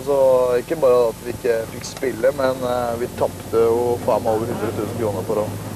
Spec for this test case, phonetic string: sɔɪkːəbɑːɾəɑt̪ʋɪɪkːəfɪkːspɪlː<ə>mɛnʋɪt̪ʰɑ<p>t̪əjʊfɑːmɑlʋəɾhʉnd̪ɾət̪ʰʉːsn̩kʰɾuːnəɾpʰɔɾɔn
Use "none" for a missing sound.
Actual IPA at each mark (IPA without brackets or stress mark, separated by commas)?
ə, p